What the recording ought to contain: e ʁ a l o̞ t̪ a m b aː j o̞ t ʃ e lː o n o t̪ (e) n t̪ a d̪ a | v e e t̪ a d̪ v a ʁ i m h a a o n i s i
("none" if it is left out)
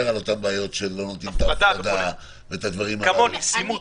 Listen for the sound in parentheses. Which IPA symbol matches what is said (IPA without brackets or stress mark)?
i